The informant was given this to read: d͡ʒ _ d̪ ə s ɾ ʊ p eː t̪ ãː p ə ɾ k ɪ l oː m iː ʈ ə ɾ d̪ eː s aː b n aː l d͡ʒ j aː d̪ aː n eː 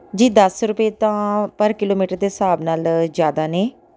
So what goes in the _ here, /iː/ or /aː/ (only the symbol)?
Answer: iː